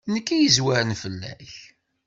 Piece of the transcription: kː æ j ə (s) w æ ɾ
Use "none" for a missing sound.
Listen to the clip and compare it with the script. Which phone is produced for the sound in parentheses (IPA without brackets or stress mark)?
z